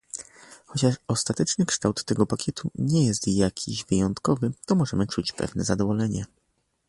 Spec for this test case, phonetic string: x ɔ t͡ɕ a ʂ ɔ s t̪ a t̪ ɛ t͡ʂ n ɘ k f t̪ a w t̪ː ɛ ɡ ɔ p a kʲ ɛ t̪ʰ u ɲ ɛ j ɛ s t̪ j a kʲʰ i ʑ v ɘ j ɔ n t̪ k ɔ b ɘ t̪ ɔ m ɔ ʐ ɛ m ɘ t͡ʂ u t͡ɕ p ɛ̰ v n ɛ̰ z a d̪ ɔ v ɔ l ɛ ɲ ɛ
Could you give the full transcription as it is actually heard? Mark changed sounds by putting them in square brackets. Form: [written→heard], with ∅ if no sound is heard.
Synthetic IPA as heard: x ɔ t͡ɕ a ʂ ɔ s t̪ a t̪ ɛ t͡ʂ n ɘ k [f→ʂ] t̪ a w t̪ː ɛ ɡ ɔ p a kʲ ɛ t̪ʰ u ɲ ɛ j ɛ s t̪ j a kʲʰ i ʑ v ɘ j ɔ n t̪ k ɔ [b→v] ɘ t̪ ɔ m ɔ ʐ ɛ m ɘ t͡ʂ u t͡ɕ p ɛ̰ v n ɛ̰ z a d̪ ɔ v ɔ l ɛ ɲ ɛ